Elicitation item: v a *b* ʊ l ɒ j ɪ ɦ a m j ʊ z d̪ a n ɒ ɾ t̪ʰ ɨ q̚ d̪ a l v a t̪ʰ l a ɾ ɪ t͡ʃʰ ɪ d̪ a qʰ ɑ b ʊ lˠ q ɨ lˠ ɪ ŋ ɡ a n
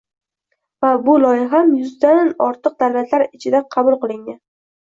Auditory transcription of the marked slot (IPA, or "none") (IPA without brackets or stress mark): b